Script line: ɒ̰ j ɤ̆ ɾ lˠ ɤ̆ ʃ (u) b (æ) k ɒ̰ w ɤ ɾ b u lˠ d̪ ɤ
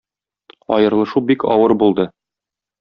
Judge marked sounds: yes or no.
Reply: yes, no

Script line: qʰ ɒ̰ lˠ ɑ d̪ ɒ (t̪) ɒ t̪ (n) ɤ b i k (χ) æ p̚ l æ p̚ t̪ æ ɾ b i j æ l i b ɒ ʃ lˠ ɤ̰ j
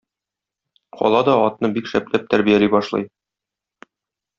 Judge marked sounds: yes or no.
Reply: no, yes, no

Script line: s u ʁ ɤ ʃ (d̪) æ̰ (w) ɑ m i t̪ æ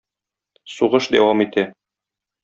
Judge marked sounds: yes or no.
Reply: yes, yes

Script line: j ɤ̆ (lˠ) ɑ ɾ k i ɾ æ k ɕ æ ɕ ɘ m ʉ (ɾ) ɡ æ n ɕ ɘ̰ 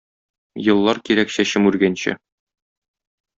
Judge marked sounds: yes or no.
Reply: no, yes

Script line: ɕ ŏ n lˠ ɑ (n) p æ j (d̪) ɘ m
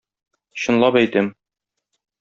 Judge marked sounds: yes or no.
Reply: no, no

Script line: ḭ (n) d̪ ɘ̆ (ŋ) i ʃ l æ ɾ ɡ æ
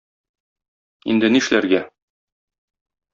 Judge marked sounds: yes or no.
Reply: yes, no

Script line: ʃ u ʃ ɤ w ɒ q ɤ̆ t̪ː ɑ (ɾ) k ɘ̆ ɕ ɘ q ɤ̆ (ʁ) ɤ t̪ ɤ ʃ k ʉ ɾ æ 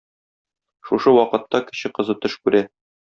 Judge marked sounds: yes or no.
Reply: no, no

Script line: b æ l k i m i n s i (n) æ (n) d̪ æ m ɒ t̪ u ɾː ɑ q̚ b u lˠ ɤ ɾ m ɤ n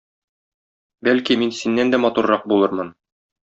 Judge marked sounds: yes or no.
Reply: no, yes

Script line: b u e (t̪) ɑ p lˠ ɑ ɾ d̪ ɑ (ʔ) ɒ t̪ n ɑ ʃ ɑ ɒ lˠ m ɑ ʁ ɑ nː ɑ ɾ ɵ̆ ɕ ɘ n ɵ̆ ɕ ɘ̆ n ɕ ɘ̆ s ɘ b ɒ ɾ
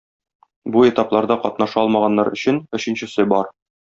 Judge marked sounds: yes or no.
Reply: yes, no

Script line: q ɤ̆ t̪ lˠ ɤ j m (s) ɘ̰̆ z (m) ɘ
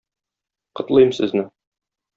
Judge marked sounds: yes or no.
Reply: yes, no

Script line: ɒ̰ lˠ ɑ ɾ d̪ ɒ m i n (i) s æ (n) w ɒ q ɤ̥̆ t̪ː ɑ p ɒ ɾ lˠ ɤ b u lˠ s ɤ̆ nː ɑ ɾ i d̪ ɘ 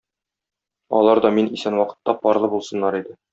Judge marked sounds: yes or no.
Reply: yes, yes

